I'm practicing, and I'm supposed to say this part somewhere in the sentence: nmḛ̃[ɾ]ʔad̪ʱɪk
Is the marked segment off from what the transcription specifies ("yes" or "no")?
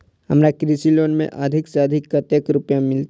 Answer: yes